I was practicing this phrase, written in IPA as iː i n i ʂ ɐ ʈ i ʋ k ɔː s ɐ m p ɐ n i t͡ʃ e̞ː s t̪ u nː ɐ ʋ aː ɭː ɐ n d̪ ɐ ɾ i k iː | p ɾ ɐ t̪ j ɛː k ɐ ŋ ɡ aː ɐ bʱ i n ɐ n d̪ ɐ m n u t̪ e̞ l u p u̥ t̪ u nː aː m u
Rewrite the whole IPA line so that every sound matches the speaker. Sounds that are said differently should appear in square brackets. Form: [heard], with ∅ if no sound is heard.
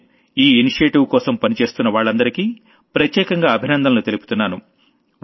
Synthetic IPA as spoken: iː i n i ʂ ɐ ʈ i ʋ k ɔː s ɐ m p ɐ n i t͡ʃ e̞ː s t̪ u nː ɐ ʋ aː ɭː ɐ n d̪ ɐ ɾ i k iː | p ɾ ɐ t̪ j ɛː k ɐ ŋ ɡ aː ɐ bʱ i n ɐ n d̪ ɐ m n u t̪ e̞ l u p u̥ t̪ u nː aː [n] u